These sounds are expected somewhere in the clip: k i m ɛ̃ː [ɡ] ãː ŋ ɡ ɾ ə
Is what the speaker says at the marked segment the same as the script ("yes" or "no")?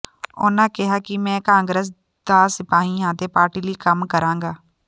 no